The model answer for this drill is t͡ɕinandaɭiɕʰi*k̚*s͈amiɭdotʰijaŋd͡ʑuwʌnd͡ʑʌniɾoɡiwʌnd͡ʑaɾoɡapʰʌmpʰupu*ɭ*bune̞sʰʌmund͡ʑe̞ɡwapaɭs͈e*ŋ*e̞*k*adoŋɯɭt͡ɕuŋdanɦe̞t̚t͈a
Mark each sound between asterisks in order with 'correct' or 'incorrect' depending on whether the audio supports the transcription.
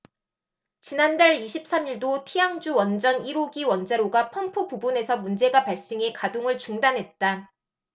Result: incorrect: p̚, incorrect: none, correct, correct

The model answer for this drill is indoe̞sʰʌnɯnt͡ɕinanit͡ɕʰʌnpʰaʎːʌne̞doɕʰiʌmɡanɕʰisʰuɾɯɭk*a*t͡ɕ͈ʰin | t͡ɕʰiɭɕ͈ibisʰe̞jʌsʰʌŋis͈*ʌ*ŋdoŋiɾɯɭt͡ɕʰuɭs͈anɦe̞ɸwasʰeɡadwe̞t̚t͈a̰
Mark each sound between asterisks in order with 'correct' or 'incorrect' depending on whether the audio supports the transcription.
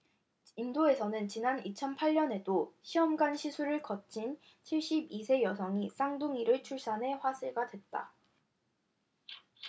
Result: incorrect: ʌ, incorrect: a

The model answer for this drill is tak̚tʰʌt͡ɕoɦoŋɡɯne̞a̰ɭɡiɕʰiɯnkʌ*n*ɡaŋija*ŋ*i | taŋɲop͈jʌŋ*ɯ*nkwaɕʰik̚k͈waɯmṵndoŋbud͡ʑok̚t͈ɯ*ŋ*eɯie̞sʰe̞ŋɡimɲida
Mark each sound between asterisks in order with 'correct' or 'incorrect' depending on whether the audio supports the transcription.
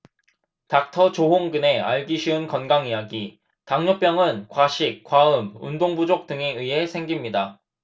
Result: correct, incorrect: ɡ, correct, correct

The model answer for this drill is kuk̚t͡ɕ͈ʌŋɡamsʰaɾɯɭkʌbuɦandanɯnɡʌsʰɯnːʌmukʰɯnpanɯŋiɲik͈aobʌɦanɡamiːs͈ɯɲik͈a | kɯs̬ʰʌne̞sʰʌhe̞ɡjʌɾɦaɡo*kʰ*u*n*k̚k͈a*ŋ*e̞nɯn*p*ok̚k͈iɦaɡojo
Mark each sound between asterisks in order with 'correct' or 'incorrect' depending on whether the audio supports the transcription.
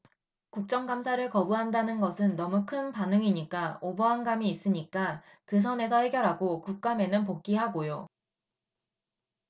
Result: incorrect: k, incorrect: none, incorrect: m, correct

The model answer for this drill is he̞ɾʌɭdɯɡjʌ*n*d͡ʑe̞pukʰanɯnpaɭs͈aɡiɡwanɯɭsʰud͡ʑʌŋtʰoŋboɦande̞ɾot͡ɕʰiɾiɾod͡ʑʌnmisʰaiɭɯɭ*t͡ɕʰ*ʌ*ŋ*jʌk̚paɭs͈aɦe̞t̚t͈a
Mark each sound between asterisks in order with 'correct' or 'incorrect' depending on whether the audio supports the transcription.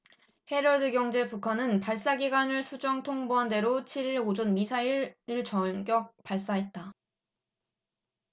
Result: incorrect: ŋ, incorrect: t͡ɕ, incorrect: ɡ

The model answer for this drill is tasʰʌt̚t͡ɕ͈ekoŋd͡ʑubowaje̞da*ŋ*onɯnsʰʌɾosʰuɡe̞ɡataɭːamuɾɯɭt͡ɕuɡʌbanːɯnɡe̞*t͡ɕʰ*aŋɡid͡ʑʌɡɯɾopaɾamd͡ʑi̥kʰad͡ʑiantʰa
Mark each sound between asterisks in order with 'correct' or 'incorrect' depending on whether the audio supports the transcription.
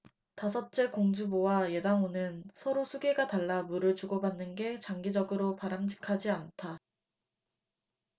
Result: correct, incorrect: t͡ɕ

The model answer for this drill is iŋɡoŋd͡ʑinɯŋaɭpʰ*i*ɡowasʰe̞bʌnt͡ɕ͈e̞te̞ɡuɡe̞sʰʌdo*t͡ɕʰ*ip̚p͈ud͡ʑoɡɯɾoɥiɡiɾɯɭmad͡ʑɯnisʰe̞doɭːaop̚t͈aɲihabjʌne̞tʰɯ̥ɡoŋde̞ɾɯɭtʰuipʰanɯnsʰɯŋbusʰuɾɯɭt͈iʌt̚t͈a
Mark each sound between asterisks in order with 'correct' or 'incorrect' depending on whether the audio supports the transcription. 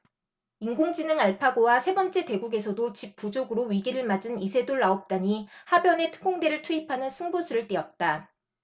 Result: incorrect: a, incorrect: t͡ɕ

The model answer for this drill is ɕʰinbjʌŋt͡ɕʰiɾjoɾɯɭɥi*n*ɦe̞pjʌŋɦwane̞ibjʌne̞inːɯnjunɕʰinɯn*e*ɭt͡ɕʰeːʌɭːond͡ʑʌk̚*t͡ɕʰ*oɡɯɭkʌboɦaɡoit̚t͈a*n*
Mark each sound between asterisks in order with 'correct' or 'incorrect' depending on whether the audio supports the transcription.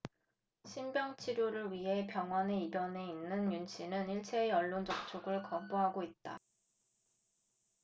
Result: incorrect: none, incorrect: i, correct, incorrect: none

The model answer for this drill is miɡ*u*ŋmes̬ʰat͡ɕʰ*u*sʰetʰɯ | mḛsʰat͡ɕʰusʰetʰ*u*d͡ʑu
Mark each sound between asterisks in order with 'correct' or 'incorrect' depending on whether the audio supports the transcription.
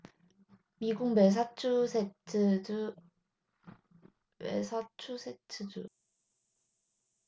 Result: correct, correct, incorrect: ɯ

